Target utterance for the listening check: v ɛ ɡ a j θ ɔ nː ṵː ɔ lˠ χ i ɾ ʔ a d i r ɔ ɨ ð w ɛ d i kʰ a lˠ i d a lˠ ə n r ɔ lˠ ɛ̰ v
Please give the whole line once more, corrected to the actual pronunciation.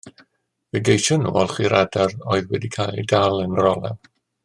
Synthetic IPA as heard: v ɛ ɡ e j ʃ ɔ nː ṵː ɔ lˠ χ i ɾ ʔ a d a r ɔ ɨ ð w ɛ d i kʰ a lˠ i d a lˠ ə n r ɔ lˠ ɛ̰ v